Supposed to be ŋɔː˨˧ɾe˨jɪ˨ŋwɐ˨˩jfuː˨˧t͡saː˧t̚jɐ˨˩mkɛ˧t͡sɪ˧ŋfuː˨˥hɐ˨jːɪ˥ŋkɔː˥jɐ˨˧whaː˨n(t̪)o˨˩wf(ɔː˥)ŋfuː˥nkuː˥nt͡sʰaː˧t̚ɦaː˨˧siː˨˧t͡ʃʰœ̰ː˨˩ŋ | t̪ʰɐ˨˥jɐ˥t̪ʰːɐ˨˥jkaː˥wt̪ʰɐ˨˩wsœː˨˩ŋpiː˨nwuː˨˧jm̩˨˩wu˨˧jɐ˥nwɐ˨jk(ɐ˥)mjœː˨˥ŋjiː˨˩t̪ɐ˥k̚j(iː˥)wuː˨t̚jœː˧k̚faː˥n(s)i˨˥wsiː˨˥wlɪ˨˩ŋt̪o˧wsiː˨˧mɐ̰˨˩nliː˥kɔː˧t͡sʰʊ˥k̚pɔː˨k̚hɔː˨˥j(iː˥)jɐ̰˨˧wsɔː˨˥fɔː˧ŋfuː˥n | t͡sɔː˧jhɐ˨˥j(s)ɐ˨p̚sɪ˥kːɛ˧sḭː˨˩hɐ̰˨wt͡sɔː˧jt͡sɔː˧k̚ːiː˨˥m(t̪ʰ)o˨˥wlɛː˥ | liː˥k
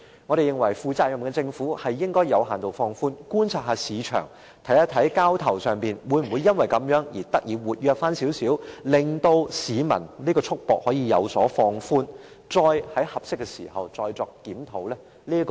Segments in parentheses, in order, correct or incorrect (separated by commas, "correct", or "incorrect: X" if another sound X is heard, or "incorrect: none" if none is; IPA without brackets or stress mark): correct, incorrect: ɔː˧, incorrect: ɐ˨˥, incorrect: iː˨˧, correct, incorrect: iː˧, incorrect: h, correct